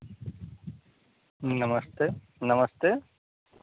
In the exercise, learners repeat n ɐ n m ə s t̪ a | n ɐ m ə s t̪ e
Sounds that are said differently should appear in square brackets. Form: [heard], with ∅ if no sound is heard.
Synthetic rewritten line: n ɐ [∅] m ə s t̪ [e] | n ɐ m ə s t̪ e

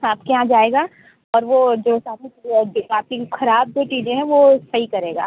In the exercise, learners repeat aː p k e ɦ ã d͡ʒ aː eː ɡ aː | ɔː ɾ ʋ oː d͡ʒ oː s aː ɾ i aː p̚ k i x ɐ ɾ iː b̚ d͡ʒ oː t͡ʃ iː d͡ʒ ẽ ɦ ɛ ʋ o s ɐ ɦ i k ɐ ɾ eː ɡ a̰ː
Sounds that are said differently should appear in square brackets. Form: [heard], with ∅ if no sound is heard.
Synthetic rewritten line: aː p k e ɦ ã d͡ʒ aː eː ɡ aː | ɔː ɾ ʋ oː d͡ʒ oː s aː ɾ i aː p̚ k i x ɐ ɾ [aː] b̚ d͡ʒ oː t͡ʃ iː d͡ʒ ẽ ɦ [ɛ̃] ʋ o s ɐ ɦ i k ɐ ɾ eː ɡ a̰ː

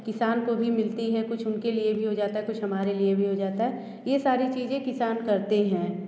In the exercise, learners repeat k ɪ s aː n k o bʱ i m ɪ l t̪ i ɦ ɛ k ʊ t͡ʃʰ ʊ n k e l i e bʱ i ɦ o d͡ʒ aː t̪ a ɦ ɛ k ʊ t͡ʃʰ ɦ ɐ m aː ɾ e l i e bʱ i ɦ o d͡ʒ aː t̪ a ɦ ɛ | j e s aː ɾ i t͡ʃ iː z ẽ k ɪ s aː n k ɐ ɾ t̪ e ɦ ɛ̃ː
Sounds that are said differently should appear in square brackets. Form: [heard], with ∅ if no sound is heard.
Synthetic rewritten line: k ɪ s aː n k o bʱ i m ɪ l t̪ i ɦ ɛ k ʊ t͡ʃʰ ʊ n k e l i e bʱ i ɦ o d͡ʒ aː t̪ a ɦ ɛ k ʊ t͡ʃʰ ɦ ɐ m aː ɾ e l i e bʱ i ɦ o d͡ʒ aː t̪ a ɦ ɛ | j e s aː ɾ i t͡ʃ iː z ẽ k ɪ s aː n k ɐ ɾ t̪ e ɦ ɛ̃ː

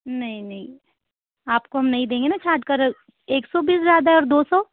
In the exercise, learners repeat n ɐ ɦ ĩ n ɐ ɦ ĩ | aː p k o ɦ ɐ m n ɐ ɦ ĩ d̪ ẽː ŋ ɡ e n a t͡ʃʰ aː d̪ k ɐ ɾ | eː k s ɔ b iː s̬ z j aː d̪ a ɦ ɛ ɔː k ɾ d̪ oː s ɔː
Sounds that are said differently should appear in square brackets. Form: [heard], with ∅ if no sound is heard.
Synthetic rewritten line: n ɐ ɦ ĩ n ɐ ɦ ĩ | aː p k o ɦ ɐ m n ɐ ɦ ĩ d̪ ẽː ŋ ɡ e n a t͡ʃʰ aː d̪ k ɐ ɾ | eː k s ɔ b iː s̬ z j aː d̪ a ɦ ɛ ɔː [∅] ɾ d̪ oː s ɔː

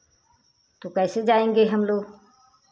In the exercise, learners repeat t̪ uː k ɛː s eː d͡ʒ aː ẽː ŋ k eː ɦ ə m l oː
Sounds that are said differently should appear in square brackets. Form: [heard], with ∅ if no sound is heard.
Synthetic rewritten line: t̪ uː k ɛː s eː d͡ʒ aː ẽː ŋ [ɡ] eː ɦ ə m l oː

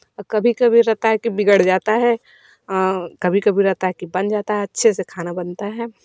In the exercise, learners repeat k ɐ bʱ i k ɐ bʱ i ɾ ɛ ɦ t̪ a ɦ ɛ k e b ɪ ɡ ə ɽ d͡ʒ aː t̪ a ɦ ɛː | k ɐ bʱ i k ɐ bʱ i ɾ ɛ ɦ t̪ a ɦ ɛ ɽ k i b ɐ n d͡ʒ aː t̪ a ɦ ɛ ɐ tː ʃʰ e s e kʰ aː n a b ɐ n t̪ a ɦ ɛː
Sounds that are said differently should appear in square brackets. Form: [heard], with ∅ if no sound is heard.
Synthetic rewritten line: k ɐ bʱ i k ɐ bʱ i ɾ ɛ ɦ t̪ a ɦ ɛ k [i] b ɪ ɡ ə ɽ d͡ʒ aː t̪ a ɦ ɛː | k ɐ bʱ i k ɐ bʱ i ɾ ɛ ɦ t̪ a ɦ ɛ [∅] k i b ɐ n d͡ʒ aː t̪ a ɦ ɛ ɐ tː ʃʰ e s e kʰ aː n a b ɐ n t̪ a ɦ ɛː

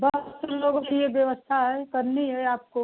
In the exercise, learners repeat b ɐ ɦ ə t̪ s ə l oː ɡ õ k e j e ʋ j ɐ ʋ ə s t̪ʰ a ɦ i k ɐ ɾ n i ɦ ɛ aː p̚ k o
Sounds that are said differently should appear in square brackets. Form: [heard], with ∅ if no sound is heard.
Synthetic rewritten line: b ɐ ɦ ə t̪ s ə l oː ɡ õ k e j e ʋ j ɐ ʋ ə s t̪ʰ a ɦ [ɛ] k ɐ ɾ n i ɦ ɛ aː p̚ k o

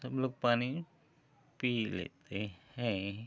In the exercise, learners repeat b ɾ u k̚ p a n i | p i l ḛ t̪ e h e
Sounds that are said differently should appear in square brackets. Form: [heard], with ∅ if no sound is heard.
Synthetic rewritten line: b [l] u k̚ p a n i | p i l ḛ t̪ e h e

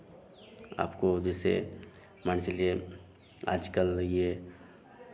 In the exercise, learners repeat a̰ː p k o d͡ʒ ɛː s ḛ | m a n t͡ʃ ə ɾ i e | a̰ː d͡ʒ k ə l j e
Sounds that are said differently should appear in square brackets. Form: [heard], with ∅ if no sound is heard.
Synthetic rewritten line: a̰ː p k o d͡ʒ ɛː s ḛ | m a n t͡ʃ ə [l] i e | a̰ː d͡ʒ k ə l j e

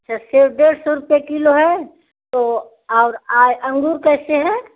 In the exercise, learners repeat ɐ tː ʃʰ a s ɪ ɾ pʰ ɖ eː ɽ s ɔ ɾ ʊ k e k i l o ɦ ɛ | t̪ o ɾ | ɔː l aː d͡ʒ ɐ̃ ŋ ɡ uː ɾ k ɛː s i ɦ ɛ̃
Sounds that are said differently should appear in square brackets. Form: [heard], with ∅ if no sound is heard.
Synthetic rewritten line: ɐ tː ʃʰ a s ɪ ɾ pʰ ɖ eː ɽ s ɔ ɾ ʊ [p] e k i l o ɦ ɛ | t̪ o [∅] | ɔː [ɾ] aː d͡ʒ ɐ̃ ŋ ɡ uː ɾ k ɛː s [e] ɦ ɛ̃

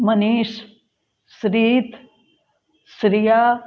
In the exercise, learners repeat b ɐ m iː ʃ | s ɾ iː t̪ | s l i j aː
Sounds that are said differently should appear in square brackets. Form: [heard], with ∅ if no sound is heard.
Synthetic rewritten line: [m] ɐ [n] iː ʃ | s ɾ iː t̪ | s [ɾ] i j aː

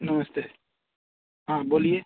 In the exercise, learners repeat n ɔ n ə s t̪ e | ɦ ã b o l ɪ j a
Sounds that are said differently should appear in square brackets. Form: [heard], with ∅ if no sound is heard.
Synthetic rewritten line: n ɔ [m] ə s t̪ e | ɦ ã b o l [i] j [e]

